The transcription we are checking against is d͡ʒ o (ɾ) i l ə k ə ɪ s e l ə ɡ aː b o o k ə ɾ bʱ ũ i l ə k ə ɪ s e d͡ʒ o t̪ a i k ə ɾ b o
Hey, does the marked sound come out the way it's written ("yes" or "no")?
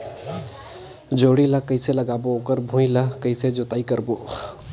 no